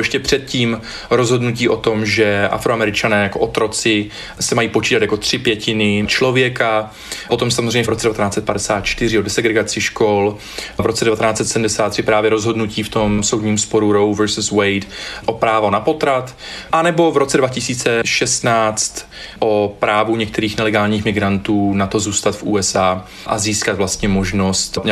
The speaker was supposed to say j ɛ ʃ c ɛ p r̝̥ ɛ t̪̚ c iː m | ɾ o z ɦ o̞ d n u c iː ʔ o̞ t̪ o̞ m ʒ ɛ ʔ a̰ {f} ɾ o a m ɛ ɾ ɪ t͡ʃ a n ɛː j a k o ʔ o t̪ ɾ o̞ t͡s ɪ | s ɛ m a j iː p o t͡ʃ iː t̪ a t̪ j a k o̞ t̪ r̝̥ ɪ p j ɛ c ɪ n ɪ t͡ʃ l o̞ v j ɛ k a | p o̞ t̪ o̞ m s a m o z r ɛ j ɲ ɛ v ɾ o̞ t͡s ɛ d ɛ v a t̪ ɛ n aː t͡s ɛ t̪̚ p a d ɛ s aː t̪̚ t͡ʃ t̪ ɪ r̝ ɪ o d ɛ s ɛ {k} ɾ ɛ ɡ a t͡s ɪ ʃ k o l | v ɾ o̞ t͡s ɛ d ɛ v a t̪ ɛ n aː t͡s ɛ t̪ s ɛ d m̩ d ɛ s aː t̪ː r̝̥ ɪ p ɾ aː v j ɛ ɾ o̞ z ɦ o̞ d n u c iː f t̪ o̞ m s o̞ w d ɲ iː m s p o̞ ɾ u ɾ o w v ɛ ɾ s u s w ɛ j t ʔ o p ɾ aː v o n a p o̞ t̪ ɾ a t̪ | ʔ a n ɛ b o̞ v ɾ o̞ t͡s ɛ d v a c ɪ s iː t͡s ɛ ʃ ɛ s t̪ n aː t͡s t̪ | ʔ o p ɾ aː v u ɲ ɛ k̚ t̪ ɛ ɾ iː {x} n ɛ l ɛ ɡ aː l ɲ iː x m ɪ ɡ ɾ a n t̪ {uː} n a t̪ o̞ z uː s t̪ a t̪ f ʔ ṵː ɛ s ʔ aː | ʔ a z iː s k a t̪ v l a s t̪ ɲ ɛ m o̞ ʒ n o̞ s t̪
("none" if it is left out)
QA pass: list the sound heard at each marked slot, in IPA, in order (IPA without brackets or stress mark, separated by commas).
f, ɡ, x, uː